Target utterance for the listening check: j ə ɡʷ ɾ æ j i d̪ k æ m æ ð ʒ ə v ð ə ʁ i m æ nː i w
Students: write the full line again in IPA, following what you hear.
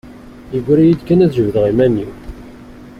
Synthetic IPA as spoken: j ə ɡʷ ɾ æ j i d̪ k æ n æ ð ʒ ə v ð ə ʁ i m æ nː i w